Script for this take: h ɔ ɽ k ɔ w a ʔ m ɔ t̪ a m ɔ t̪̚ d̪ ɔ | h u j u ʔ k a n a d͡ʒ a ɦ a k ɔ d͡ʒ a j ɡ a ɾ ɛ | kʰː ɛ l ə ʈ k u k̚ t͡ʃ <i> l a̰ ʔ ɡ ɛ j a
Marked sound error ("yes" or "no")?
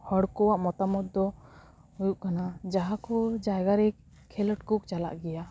yes